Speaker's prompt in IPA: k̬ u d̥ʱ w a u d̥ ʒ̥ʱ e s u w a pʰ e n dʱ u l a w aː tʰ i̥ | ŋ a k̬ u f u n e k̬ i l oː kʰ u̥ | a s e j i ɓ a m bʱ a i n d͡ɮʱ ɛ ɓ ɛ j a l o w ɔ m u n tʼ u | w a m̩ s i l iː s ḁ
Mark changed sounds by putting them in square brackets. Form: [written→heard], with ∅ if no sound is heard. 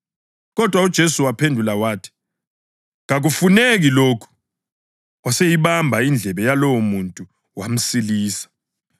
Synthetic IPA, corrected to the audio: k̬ [u→ɔ] d̥ʱ w a u d̥ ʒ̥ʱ e s u w a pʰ e n dʱ u l a w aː tʰ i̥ | ŋ a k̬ u f u n e k̬ i l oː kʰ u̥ | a s e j i ɓ a m bʱ a i n d͡ɮʱ ɛ ɓ ɛ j a l o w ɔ m u n tʼ u | w a m̩ s i l iː s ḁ